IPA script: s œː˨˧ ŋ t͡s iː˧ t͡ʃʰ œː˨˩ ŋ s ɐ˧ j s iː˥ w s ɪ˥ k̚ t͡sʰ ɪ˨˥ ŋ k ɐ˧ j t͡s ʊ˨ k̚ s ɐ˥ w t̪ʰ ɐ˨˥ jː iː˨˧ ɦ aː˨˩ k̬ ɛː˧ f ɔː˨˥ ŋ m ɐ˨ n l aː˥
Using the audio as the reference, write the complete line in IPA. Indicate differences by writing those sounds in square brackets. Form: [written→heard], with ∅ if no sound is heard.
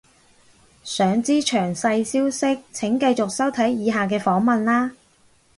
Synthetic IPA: s œː˨˧ ŋ t͡s [iː˧→iː˥] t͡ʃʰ œː˨˩ ŋ s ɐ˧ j s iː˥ w s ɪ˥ k̚ t͡sʰ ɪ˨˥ ŋ k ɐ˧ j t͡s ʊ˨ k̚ s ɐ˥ w t̪ʰ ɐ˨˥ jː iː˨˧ ɦ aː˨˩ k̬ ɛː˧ f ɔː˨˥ ŋ m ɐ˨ n l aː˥